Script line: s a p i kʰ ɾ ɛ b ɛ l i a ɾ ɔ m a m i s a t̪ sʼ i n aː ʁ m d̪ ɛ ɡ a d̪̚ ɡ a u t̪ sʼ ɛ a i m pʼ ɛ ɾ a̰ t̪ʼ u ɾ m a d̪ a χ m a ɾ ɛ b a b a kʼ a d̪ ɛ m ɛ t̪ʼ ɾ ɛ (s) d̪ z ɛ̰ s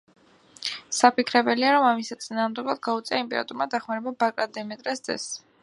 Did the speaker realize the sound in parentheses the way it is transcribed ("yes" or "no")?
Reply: yes